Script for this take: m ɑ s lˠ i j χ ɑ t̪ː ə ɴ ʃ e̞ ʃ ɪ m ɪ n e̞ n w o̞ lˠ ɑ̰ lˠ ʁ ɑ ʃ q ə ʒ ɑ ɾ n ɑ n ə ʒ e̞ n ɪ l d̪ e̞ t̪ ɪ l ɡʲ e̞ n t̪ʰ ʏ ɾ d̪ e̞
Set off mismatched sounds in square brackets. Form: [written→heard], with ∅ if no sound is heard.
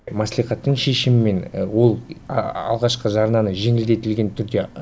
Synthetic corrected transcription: m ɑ s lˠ i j χ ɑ t̪ː ə ɴ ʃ e̞ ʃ ɪ m ɪ [n→m] e̞ n w o̞ lˠ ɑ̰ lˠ ʁ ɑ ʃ q ə ʒ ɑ ɾ n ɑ n ə ʒ e̞ [n→ŋ] ɪ l d̪ e̞ t̪ ɪ l ɡʲ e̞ n t̪ʰ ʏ ɾ d̪ e̞

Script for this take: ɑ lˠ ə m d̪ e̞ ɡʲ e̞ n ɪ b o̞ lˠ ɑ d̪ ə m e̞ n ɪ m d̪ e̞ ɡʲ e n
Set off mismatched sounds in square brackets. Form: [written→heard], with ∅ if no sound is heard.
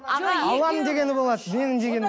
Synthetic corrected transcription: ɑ lˠ [ə→ɑ] m d̪ e̞ ɡʲ e̞ n ɪ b o̞ lˠ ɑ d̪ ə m e̞ n ɪ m d̪ e̞ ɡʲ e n

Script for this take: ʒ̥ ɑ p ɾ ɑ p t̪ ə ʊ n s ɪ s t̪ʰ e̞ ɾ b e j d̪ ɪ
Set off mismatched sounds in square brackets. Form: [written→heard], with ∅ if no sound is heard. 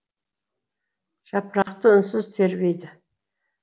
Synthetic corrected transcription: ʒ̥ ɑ p ɾ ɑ [p→q] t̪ ə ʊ n s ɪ [s→z] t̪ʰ e̞ ɾ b e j d̪ ɪ

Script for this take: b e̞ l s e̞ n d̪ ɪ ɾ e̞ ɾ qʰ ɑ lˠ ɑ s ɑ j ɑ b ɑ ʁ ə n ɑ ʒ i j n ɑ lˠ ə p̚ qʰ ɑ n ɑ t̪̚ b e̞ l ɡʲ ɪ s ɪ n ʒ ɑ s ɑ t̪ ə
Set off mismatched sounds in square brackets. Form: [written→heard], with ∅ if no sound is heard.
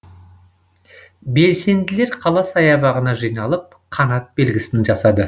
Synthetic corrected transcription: b e̞ l s e̞ n d̪ ɪ [ɾ→l] e̞ ɾ qʰ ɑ lˠ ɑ s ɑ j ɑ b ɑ ʁ ə n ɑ ʒ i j n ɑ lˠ ə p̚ qʰ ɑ n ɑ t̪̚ b e̞ l ɡʲ ɪ s ɪ n ʒ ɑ s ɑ [t̪→d̪] ə

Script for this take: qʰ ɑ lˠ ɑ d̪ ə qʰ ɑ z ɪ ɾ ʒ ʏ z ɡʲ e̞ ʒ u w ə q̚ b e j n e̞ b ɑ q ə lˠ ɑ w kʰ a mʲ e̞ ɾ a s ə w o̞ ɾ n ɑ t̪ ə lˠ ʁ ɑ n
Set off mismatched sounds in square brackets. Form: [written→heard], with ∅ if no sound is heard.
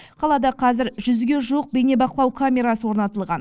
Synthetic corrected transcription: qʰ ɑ lˠ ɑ d̪ [ə→ɑ] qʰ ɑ z ɪ ɾ ʒ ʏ z ɡʲ e̞ ʒ u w ə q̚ b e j n e̞ b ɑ q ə lˠ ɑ w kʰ a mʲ e̞ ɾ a s ə w o̞ ɾ n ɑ t̪ ə lˠ ʁ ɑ n

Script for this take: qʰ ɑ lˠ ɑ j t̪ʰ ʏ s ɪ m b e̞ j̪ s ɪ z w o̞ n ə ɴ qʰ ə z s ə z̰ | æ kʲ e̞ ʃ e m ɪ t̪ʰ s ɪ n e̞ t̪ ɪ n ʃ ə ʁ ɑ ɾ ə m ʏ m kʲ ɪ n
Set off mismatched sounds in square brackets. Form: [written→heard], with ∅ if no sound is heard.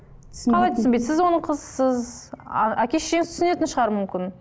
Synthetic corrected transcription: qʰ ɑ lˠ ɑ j t̪ʰ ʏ s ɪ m b e̞ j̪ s ɪ z w o̞ n ə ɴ qʰ ə z s ə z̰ | æ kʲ e̞ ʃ e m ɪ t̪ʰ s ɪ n e̞ t̪ ɪ n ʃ ə ʁ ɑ ɾ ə m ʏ m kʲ ɪ n

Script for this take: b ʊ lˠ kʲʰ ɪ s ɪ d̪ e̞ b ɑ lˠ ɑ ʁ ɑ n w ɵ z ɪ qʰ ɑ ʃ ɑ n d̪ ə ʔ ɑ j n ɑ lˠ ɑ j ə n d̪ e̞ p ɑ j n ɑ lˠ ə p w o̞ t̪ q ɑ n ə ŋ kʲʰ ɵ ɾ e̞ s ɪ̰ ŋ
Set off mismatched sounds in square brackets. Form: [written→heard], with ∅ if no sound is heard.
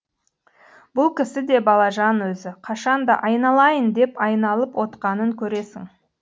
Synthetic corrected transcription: b ʊ lˠ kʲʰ ɪ s ɪ d̪ e̞ b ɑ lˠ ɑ [ʁ→ʒ] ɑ n w ɵ z ɪ qʰ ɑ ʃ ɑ n d̪ [ə→ɑ] ʔ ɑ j n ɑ lˠ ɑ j ə n d̪ e̞ p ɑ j n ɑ lˠ ə p w o̞ t̪ q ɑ n ə ŋ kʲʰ ɵ ɾ e̞ s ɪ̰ ŋ

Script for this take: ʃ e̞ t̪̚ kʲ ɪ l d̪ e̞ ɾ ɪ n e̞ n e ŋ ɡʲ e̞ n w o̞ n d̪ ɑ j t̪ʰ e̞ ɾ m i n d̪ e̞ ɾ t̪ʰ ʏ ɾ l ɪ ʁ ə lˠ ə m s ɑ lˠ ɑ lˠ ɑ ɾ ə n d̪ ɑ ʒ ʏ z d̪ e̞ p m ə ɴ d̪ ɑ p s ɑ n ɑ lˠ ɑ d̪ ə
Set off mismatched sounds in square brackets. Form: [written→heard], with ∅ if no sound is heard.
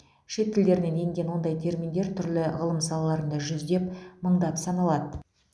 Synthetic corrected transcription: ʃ e̞ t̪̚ kʲ ɪ l d̪ e̞ ɾ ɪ n e̞ n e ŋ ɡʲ e̞ n w o̞ n d̪ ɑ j t̪ʰ e̞ ɾ m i n d̪ e̞ ɾ t̪ʰ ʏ ɾ l ɪ ʁ ə lˠ ə m s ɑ lˠ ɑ lˠ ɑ ɾ ə n d̪ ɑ ʒ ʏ z d̪ e̞ p m ə ɴ d̪ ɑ p s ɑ n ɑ lˠ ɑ d̪ ə

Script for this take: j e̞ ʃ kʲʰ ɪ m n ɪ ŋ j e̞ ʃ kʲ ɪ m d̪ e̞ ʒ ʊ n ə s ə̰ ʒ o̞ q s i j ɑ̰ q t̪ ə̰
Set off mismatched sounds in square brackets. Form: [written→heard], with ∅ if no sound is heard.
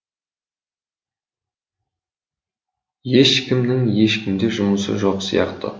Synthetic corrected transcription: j e̞ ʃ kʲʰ ɪ m n ɪ ŋ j e̞ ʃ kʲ ɪ m d̪ e̞ ʒ ʊ [n→m] ə s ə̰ ʒ o̞ q s i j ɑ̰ q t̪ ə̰

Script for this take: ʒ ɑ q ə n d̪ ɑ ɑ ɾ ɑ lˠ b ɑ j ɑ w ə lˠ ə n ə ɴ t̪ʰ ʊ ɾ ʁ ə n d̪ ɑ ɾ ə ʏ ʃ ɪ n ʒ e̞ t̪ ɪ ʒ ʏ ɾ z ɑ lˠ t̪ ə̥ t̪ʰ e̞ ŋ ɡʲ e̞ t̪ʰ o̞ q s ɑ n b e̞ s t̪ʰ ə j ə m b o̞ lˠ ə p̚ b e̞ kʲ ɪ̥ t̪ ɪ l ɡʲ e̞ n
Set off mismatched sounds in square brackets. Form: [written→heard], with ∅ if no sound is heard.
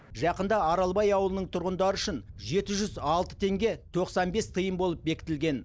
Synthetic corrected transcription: ʒ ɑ q ə n d̪ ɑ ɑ ɾ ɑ lˠ b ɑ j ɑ w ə lˠ ə n ə ɴ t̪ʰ ʊ ɾ ʁ ə n d̪ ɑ ɾ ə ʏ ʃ ɪ n ʒ e̞ t̪ ɪ ʒ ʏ [ɾ→∅] z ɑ lˠ t̪ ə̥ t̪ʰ e̞ ŋ ɡʲ e̞ t̪ʰ o̞ q s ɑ n b e̞ s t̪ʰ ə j ə m b o̞ lˠ ə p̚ b e̞ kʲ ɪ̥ t̪ ɪ l ɡʲ e̞ n

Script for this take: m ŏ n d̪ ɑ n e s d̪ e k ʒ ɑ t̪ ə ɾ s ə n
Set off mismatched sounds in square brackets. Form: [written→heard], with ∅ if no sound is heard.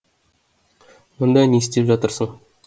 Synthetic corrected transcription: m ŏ n d̪ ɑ n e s [d̪→t̪] e [k→p] ʒ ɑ t̪ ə ɾ s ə [n→ɴ]

